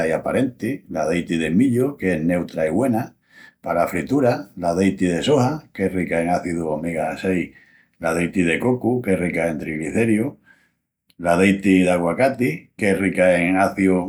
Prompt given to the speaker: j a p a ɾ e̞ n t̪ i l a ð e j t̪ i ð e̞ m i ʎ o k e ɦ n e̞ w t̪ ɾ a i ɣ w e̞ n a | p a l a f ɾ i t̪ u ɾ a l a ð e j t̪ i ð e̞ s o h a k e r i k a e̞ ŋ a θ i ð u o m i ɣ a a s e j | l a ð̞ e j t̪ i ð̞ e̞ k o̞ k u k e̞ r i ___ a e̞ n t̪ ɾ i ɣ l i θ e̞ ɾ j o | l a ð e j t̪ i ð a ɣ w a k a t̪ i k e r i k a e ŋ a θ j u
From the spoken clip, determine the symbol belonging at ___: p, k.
k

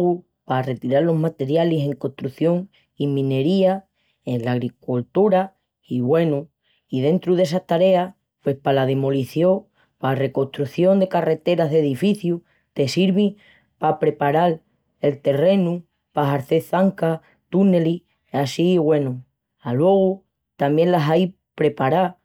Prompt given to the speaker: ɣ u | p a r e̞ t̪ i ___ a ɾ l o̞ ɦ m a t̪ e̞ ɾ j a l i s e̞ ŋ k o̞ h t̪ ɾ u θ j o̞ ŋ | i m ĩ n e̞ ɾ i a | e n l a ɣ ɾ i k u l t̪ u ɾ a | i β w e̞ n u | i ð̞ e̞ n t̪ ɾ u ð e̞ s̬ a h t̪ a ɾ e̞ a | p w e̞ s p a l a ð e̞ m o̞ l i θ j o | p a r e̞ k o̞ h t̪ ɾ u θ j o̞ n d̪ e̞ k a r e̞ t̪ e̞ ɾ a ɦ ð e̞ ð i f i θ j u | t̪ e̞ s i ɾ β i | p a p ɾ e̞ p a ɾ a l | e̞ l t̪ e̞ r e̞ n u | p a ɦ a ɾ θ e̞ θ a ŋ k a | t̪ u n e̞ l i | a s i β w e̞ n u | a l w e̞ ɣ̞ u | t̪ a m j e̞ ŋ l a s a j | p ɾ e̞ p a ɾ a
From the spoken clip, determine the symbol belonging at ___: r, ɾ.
ɾ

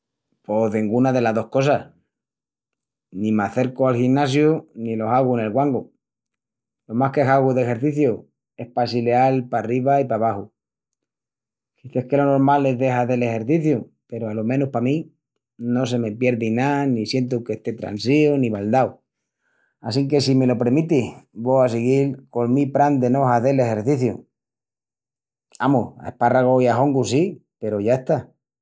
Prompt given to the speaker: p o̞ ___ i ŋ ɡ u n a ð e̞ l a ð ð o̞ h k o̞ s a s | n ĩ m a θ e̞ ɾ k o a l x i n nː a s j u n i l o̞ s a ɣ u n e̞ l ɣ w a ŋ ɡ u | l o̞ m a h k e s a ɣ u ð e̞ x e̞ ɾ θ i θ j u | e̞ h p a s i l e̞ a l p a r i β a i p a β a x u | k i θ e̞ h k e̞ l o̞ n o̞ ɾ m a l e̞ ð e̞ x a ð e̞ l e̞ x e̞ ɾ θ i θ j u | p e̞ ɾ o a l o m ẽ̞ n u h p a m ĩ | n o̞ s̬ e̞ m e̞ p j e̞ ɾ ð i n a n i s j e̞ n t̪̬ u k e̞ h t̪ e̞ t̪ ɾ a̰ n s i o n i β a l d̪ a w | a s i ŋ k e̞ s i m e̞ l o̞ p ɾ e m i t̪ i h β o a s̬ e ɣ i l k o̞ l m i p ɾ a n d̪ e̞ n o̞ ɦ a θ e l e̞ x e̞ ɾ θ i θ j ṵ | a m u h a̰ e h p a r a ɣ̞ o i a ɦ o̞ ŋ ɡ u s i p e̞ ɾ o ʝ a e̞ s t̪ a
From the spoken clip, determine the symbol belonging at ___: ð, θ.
ð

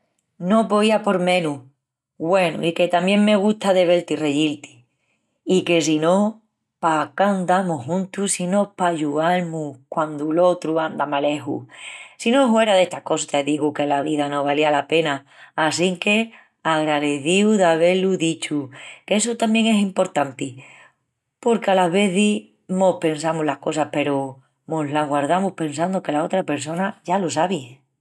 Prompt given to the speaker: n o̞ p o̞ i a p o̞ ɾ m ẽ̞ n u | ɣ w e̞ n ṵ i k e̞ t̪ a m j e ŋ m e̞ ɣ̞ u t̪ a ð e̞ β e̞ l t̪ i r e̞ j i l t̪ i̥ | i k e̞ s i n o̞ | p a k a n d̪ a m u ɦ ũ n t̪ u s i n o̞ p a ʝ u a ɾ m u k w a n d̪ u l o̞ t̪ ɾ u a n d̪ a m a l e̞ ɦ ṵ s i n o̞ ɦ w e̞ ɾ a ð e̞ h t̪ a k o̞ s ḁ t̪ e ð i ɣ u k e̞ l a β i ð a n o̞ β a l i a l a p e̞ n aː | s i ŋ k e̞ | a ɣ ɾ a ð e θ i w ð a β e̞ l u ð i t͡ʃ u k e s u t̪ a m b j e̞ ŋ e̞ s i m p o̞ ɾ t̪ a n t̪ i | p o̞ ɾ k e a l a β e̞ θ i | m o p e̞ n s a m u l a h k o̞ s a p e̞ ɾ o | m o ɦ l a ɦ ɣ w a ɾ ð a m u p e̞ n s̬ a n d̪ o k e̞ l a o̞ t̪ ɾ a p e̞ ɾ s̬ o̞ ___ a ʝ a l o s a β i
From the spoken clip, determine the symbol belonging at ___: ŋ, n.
n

